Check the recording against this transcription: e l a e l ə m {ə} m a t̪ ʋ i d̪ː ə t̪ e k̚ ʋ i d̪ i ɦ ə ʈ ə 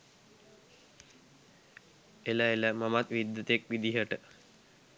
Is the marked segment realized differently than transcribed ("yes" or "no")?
yes